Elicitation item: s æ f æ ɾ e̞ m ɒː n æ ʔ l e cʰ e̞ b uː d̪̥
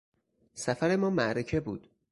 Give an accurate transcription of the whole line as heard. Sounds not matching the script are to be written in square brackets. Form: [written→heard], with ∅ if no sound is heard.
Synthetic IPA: s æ f æ ɾ e̞ m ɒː [n→m] æ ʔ [l→ɾ] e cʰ e̞ b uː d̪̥

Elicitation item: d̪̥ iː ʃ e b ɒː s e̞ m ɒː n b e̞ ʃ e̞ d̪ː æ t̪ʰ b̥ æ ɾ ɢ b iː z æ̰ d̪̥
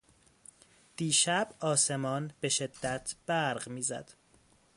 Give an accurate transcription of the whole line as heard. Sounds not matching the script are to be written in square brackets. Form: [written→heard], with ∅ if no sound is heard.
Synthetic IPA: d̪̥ iː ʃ [e→æ] b ɒː s e̞ m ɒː n b e̞ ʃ e̞ d̪ː æ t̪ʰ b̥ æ ɾ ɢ [b→m] iː z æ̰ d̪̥

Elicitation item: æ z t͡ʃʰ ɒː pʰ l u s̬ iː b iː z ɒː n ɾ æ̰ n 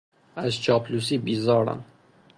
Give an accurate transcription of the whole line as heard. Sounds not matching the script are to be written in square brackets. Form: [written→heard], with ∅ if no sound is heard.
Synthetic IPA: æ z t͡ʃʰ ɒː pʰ l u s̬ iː b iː z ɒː [n→∅] ɾ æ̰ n

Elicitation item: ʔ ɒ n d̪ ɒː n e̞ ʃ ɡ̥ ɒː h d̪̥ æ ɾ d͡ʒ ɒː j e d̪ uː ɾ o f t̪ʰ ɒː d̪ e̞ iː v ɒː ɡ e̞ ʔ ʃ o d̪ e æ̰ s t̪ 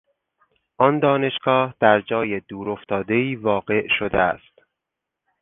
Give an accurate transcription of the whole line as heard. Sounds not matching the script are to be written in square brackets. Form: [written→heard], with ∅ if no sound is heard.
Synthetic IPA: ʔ ɒ n d̪ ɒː n e̞ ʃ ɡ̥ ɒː h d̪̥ æ ɾ d͡ʒ ɒː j e d̪ uː ɾ o f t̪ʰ ɒː d̪ e̞ iː v ɒː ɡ e̞ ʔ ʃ o d̪ e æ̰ s t̪

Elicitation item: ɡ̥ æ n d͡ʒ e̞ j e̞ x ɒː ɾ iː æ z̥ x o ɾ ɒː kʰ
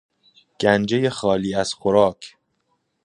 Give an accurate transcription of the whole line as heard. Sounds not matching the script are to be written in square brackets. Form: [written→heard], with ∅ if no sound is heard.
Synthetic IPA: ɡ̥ æ n d͡ʒ e̞ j e̞ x ɒː [ɾ→l] iː æ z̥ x o ɾ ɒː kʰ

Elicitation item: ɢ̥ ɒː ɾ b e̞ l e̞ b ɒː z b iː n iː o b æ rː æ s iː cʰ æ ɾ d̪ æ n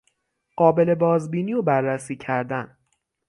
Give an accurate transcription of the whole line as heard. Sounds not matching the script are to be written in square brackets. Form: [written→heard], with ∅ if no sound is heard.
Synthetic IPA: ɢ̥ ɒː [ɾ→∅] b e̞ l e̞ b ɒː z b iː n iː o b æ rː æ s iː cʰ æ ɾ d̪ æ n

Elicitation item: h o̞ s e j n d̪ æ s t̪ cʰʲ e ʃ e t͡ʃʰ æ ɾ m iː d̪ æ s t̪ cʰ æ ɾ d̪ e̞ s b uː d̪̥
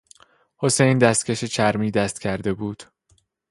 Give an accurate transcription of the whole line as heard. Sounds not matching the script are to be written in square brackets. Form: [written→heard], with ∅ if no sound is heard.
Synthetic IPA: h o̞ s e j n d̪ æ s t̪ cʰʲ e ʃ e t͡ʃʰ æ ɾ m iː d̪ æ s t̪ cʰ æ ɾ d̪ e̞ [s→∅] b uː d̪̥

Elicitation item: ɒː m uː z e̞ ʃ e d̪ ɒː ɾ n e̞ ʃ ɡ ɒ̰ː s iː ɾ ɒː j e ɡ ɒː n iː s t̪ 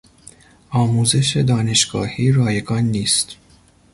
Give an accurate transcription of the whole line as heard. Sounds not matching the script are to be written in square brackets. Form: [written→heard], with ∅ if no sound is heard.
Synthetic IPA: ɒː m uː z e̞ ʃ e d̪ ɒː [ɾ→∅] n e̞ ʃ ɡ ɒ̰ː [s→h] iː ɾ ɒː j e ɡ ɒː [n→nː] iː s t̪

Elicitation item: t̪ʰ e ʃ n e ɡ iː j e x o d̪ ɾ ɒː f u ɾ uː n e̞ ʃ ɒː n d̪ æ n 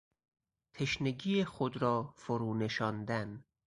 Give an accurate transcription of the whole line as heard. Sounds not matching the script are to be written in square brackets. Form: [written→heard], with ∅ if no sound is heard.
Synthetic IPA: t̪ʰ e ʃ n e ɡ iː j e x o d̪ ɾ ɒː f [u→o] ɾ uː n e̞ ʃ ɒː n d̪ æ n

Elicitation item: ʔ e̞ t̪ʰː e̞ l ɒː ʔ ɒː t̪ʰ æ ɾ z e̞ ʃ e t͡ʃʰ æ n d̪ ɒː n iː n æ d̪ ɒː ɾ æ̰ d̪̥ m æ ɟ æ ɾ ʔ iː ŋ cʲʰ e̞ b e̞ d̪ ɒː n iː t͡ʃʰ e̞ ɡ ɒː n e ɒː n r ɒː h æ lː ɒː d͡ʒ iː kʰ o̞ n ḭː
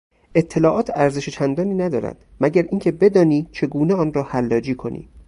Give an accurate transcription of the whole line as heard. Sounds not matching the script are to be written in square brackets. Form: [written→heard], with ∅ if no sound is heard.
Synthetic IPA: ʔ e̞ t̪ʰː e̞ l ɒː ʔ ɒː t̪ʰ æ ɾ z e̞ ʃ e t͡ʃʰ æ n d̪ ɒː n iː n æ d̪ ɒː ɾ æ̰ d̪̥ m æ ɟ æ ɾ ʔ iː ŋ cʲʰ e̞ b e̞ d̪ ɒː n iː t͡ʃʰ e̞ ɡ [ɒː→uː] n e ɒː n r ɒː h æ lː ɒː d͡ʒ iː kʰ o̞ n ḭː

